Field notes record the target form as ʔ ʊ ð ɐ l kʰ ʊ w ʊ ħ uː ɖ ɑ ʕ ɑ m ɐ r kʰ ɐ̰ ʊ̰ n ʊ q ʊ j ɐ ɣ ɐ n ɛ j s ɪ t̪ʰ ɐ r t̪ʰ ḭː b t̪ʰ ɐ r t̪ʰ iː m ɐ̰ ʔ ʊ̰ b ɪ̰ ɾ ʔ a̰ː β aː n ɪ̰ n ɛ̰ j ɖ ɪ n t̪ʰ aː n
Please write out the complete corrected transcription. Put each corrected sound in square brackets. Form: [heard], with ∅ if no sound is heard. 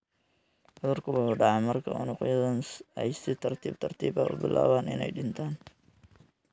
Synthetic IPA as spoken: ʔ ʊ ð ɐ [r] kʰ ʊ w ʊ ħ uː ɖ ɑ ʕ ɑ m ɐ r kʰ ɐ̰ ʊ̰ n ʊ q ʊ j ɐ [ð] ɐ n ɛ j s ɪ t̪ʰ ɐ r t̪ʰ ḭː b t̪ʰ ɐ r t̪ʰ iː [b] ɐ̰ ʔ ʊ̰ b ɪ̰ [l] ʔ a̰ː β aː n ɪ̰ n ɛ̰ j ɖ ɪ n t̪ʰ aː n